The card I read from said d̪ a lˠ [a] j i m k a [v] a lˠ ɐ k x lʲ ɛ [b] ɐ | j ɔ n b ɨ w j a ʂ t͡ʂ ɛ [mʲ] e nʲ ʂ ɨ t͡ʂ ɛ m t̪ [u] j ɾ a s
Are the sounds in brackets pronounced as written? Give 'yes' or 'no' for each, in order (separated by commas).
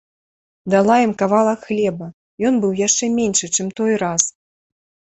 yes, yes, yes, yes, no